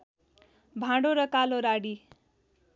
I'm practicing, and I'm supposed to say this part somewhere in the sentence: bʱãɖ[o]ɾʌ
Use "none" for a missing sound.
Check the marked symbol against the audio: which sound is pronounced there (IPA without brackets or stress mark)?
o